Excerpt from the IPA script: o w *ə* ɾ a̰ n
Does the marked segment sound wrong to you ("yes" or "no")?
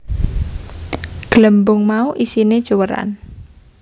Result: no